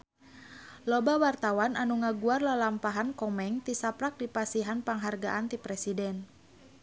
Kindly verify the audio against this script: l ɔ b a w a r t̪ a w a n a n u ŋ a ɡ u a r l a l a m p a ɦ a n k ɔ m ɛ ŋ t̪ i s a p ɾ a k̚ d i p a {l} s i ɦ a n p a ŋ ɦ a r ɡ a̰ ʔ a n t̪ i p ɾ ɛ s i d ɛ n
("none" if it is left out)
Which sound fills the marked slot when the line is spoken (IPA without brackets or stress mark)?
none